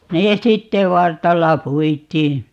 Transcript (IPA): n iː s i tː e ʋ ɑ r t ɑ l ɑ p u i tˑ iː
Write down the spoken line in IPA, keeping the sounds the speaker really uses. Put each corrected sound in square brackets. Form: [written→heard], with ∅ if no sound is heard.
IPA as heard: n [iː→eː] s i tː e ʋ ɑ r t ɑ [l→lː] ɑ p u i tˑ iː